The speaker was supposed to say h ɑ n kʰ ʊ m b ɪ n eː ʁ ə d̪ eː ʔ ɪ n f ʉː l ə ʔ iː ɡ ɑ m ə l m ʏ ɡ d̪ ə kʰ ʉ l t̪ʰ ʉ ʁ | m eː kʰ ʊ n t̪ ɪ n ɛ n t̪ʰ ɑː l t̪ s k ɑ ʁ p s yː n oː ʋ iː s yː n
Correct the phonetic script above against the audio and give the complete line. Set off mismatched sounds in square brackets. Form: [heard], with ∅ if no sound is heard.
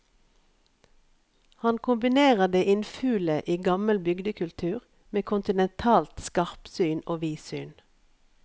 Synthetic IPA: h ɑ n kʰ ʊ m b ɪ n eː ʁ ə d̪ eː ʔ ɪ n f ʉː l ə ʔ iː ɡ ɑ m ə l [b] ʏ ɡ d̪ ə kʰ ʉ l t̪ʰ [ʉː] ʁ | m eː kʰ ʊ n t̪ ɪ n ɛ n t̪ʰ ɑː l t̪ s k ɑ ʁ p s yː n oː ʋ iː s yː n